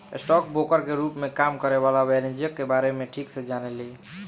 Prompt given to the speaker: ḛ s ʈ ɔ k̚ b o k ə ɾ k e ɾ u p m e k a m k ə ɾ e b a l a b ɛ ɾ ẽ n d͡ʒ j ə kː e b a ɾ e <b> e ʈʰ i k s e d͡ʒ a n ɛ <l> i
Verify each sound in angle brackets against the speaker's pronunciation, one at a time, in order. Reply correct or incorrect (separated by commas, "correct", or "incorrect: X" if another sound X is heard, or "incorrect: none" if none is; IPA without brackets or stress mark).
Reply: incorrect: m, correct